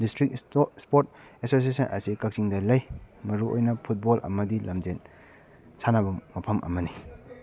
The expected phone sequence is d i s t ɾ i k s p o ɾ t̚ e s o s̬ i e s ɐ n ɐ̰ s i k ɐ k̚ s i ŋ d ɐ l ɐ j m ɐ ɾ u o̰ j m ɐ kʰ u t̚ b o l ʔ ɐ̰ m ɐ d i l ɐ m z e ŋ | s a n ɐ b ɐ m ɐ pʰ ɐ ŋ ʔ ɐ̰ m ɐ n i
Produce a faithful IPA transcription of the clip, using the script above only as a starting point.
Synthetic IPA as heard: d i s t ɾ i k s p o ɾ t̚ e s o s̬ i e s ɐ n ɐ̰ s i k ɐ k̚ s i ŋ d ɐ l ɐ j m ɐ ɾ u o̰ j n ɐ pʰ u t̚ b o l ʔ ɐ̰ m ɐ d i l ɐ m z e n | s a n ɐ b ɐ m ɐ pʰ ɐ m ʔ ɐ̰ m ɐ n i